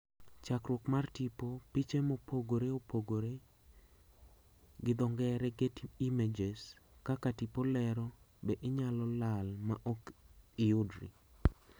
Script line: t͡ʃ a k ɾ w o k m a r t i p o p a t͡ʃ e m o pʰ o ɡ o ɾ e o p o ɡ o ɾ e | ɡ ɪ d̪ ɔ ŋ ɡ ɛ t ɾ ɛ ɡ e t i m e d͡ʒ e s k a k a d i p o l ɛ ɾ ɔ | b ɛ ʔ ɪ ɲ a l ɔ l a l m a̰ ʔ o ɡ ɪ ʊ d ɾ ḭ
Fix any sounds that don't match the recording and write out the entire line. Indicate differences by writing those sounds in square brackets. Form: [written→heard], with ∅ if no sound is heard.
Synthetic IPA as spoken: t͡ʃ a k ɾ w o k m a r t i p o p [a→i] t͡ʃ e m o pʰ o ɡ o ɾ e o p o ɡ o ɾ e | ɡ ɪ d̪ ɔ ŋ ɡ ɛ [t→∅] ɾ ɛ ɡ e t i m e d͡ʒ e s k a k a [d→t] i p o l ɛ ɾ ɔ | b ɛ ʔ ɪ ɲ a l ɔ l a l m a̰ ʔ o [ɡ→k] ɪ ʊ d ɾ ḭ